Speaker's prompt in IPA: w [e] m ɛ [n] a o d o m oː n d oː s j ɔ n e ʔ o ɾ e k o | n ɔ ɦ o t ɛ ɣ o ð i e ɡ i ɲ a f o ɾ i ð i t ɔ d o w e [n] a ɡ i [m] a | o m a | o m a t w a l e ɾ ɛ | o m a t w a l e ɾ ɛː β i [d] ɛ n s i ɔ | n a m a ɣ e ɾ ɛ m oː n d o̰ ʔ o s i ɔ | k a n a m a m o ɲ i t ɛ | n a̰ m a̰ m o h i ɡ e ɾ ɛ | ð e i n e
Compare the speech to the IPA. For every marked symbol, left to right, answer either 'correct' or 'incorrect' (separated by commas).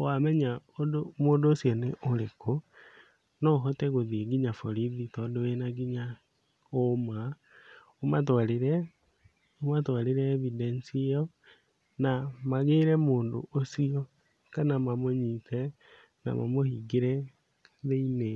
incorrect, incorrect, correct, incorrect, correct